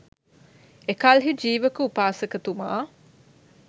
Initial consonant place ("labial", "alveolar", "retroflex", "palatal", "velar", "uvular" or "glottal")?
velar